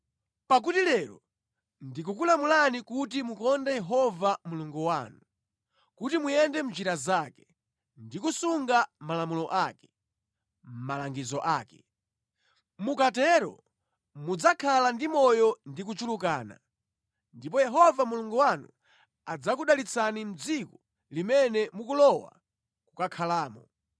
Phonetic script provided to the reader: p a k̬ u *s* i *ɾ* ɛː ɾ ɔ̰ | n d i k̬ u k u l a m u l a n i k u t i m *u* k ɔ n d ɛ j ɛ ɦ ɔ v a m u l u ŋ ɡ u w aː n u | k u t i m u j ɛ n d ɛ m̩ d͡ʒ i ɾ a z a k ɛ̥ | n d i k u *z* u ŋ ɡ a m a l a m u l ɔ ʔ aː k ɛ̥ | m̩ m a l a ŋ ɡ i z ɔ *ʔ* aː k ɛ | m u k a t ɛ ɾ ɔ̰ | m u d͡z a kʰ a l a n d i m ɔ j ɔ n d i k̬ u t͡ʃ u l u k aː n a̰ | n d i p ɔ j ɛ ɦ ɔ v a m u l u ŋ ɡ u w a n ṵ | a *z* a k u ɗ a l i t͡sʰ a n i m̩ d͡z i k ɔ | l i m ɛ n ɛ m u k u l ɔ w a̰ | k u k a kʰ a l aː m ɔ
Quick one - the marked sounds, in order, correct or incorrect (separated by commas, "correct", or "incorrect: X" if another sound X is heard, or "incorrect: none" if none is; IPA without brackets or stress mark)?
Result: incorrect: t, incorrect: l, correct, incorrect: s, correct, incorrect: d͡z